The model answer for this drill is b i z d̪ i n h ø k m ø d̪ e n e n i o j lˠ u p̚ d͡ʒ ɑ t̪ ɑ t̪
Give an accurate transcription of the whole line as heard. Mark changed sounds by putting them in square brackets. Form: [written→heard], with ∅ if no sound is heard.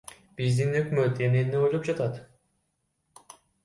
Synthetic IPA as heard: b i z d̪ i n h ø k m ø [d̪→t̪] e n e n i o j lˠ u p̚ d͡ʒ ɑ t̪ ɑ t̪